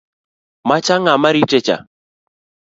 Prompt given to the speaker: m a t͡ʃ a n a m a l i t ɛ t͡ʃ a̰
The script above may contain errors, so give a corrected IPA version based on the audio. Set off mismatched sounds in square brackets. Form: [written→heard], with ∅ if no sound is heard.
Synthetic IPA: m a t͡ʃ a [n→ŋ] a m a [l→ɾ] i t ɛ t͡ʃ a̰